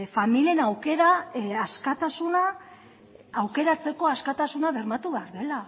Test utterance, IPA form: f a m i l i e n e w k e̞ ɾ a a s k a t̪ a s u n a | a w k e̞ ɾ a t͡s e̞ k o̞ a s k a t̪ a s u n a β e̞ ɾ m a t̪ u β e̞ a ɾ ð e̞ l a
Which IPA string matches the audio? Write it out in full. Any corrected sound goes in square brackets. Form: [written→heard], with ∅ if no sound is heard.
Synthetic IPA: f a m i l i e n [e→a] w k e̞ ɾ a a s k a t̪ a s u n a | a w k e̞ ɾ a t͡s e̞ k o̞ a s k a t̪ a s u n a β e̞ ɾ m a t̪ u β e̞ a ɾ ð e̞ l a